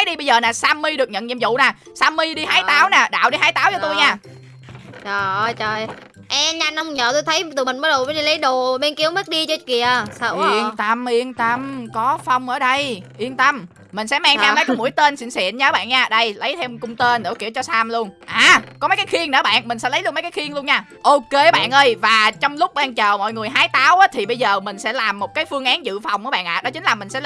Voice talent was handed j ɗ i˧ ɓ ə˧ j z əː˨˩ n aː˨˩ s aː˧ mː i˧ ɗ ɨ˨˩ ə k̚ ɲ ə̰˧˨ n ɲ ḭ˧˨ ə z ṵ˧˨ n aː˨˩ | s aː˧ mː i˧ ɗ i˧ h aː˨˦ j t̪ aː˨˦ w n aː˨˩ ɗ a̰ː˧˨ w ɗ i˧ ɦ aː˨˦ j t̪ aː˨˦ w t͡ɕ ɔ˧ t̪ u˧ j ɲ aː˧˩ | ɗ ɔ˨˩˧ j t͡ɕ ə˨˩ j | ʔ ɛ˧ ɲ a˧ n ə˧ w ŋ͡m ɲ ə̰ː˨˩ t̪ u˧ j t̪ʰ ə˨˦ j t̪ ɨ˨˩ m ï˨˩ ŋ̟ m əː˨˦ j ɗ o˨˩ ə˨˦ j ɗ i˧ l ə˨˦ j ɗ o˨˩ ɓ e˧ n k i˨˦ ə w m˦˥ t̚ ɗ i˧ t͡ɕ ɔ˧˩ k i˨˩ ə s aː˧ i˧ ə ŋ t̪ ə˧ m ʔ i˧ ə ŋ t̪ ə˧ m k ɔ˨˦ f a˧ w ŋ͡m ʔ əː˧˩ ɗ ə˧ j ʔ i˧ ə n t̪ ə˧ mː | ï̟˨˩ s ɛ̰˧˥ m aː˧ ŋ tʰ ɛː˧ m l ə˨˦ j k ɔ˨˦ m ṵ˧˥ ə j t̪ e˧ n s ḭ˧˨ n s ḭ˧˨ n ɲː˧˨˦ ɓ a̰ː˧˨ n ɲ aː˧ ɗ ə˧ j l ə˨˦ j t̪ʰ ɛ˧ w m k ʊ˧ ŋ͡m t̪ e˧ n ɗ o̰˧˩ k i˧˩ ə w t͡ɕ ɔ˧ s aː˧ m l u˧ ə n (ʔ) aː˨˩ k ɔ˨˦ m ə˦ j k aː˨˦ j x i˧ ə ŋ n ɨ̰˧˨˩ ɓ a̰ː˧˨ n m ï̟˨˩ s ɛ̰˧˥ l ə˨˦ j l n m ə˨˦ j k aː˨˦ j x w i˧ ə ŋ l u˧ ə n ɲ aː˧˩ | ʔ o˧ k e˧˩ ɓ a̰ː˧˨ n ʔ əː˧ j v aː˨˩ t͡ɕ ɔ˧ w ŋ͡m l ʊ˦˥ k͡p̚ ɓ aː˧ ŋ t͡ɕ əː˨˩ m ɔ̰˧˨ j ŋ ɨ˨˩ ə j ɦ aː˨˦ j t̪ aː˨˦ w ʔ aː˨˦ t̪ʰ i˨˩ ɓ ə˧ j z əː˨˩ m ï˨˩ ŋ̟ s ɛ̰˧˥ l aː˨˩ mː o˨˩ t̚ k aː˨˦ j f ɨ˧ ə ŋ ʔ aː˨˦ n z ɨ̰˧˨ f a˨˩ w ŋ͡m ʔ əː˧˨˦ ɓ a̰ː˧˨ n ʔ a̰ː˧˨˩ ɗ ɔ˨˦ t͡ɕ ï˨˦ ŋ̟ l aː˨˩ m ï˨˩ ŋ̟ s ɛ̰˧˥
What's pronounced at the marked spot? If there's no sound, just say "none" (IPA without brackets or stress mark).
ʔ